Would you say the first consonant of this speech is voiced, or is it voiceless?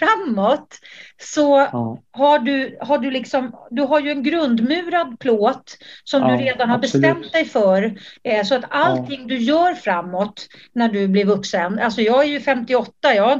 voiceless